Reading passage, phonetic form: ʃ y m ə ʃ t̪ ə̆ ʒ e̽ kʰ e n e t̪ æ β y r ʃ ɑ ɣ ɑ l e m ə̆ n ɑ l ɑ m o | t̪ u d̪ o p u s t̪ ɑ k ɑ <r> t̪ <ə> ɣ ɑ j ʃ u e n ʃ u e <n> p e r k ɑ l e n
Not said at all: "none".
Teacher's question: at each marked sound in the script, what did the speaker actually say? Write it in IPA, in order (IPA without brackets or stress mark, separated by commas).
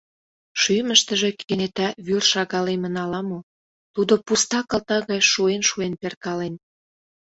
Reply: l, ɑ, n